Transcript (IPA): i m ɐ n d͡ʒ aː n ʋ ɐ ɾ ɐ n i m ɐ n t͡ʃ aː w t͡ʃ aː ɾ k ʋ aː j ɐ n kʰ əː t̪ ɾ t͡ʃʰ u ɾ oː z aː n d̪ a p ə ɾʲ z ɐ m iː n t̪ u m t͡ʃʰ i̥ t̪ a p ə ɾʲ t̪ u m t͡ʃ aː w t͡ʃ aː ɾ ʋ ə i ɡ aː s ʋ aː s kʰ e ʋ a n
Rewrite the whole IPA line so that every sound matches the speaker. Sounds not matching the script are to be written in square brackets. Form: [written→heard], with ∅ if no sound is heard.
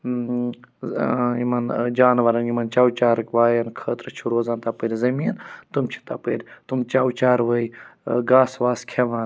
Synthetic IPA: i m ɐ n d͡ʒ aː n ʋ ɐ ɾ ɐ n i m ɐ n t͡ʃ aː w t͡ʃ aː ɾ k ʋ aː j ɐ n kʰ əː t̪ ɾ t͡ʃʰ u ɾ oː z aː n [d̪→t̪] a p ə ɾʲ z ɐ m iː n t̪ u m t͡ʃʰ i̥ t̪ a p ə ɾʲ t̪ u m t͡ʃ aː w t͡ʃ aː ɾ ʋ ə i ɡ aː s ʋ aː s kʰ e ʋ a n

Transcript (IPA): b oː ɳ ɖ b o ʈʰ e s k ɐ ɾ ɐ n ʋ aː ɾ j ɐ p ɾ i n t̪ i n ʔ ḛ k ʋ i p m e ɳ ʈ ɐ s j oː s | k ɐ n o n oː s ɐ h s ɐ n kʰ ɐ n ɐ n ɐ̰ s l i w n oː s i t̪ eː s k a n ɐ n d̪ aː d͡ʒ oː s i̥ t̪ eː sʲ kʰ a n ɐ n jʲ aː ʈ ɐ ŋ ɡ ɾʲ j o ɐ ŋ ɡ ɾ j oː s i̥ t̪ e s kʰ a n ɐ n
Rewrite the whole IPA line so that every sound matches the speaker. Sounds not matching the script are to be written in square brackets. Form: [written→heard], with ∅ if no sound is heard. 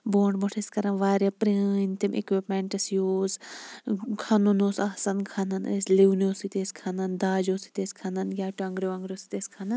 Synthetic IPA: b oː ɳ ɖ b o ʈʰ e s k ɐ ɾ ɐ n ʋ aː ɾ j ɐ p ɾ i n t̪ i [n→m] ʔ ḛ k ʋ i p m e ɳ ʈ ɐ s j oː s | [k→kʰ] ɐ n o n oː s ɐ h s ɐ n kʰ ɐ n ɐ n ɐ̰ s l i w n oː s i t̪ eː s [k→kʰ] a n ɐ n d̪ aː d͡ʒ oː s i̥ t̪ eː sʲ kʰ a n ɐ n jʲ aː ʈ ɐ ŋ ɡ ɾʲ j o ɐ ŋ ɡ ɾ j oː s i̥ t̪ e s kʰ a n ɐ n

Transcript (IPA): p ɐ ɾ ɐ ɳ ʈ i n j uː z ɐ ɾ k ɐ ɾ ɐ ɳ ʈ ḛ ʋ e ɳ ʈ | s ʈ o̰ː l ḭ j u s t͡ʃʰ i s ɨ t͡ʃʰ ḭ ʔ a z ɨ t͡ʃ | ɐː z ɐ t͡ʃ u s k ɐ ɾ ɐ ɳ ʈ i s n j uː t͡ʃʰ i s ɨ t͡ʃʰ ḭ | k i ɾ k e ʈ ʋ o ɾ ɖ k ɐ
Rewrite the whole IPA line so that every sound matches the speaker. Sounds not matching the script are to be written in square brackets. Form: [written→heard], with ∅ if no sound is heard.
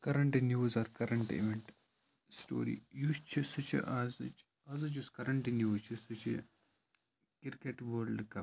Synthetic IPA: [p→k] ɐ ɾ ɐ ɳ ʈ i n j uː z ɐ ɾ k ɐ ɾ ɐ ɳ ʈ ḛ ʋ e ɳ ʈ | s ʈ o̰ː [l→ɾ] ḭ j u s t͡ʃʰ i s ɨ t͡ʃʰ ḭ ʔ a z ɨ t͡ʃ | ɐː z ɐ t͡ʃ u s k ɐ ɾ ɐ ɳ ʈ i [s→∅] n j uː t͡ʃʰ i s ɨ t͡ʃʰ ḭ | k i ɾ k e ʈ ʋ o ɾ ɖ k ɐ

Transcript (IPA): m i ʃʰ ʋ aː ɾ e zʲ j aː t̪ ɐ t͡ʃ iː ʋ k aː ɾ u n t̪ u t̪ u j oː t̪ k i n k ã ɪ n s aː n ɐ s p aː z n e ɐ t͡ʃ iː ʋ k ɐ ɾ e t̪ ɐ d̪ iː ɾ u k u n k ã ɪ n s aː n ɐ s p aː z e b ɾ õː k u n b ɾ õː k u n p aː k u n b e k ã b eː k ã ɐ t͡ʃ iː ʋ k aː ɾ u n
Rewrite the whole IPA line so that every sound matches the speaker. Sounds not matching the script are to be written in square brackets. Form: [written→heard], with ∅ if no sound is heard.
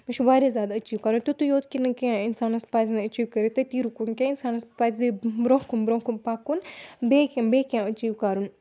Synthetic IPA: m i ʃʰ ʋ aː ɾ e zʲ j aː [t̪→d̪] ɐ t͡ʃ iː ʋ k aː ɾ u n t̪ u t̪ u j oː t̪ k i n k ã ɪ n s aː n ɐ s p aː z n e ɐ t͡ʃ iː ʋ k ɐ ɾ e t̪ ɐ [d̪→t̪] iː ɾ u k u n k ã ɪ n s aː n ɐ s p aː z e b ɾ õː k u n b ɾ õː k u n p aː k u n b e k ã b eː k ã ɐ t͡ʃ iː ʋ k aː ɾ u n

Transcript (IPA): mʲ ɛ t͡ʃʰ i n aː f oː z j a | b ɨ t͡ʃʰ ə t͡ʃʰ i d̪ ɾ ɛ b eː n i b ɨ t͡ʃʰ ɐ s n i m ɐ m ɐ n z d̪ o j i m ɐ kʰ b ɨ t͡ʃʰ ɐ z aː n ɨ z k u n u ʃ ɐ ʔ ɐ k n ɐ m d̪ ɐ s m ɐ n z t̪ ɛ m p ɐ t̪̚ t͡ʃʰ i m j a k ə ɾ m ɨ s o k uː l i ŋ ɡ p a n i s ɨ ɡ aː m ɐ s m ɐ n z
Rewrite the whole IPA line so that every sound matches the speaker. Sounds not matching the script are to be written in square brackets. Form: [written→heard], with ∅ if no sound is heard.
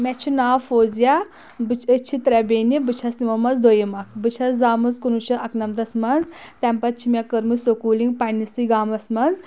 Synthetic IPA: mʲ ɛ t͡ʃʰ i n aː f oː z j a | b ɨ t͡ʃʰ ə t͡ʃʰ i [d̪→t̪] ɾ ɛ b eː n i b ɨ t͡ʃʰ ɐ s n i m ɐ m ɐ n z d̪ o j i m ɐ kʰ b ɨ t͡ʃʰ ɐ z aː [n→m] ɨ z k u n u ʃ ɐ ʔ ɐ k n ɐ m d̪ ɐ s m ɐ n z t̪ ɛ m p ɐ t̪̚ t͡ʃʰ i m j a k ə ɾ m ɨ s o k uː l i ŋ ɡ p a n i s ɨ ɡ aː m ɐ s m ɐ n z

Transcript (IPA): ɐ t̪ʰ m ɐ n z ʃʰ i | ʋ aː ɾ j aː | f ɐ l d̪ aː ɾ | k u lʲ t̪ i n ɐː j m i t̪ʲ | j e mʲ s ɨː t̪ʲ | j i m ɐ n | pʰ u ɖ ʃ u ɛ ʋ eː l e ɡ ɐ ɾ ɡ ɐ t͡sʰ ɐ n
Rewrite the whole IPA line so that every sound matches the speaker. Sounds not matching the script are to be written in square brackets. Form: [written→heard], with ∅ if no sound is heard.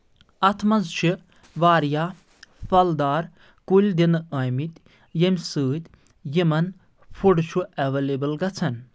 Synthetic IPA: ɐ t̪ʰ m ɐ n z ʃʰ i | ʋ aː ɾ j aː | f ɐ l d̪ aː ɾ | k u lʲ [t̪→d̪] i n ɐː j m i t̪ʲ | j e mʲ s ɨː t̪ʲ | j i m ɐ n | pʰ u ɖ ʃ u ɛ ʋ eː l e [ɡ→b] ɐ [ɾ→l] ɡ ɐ t͡sʰ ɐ n

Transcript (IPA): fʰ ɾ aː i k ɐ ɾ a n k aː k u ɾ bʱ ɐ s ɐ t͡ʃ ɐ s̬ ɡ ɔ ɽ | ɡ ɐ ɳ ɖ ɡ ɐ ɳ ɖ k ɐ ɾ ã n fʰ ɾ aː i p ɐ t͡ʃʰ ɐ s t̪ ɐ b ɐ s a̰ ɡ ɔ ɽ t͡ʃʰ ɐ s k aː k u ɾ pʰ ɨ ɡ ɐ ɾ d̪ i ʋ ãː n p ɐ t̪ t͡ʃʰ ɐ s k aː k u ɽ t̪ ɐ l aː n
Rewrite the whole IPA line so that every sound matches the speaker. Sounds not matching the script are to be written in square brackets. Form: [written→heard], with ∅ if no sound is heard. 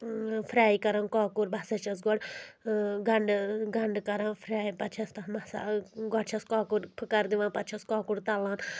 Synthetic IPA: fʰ ɾ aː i k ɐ ɾ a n k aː k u ɾ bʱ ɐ s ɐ t͡ʃ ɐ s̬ ɡ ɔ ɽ | ɡ ɐ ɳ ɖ ɡ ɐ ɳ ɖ k ɐ ɾ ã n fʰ ɾ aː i p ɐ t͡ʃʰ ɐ s t̪ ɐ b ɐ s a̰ ɡ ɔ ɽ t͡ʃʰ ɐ s k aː k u ɾ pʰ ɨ [ɡ→k] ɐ ɾ d̪ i ʋ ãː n p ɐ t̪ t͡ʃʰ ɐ s k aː k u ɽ t̪ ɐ l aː n

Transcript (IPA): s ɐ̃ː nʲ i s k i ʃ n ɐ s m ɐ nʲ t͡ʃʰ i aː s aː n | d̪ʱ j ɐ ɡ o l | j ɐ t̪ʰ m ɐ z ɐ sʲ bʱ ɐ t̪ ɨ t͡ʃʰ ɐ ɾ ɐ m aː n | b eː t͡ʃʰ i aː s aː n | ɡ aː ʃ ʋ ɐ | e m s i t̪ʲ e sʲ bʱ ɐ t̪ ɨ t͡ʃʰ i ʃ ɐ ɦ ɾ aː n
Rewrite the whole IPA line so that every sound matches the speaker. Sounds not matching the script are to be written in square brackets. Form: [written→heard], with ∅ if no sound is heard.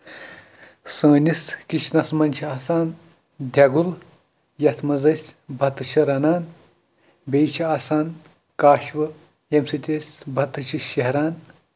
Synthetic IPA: s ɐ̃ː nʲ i s k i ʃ n ɐ s m ɐ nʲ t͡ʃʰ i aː s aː n | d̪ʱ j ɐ ɡ [o→u] l | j ɐ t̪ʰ m ɐ z ɐ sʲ bʱ ɐ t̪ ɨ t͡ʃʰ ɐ ɾ ɐ [m→n] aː n | b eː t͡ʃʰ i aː s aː n | [ɡ→k] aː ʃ ʋ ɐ | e m s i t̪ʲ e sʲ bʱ ɐ t̪ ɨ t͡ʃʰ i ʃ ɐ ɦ ɾ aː n

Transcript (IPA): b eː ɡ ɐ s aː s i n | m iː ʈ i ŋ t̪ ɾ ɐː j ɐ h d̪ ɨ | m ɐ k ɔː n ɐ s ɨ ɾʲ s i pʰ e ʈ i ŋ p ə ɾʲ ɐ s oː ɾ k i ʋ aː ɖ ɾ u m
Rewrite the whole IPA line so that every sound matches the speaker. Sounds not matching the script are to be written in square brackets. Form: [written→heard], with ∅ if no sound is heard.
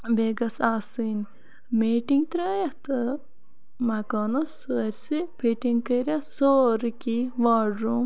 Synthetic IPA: b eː ɡ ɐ s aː s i n | m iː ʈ i ŋ t̪ ɾ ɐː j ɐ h [d̪→t̪] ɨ | m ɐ k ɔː n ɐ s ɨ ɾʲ s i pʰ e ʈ i ŋ [p→k] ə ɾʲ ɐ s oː ɾ k i ʋ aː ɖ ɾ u m

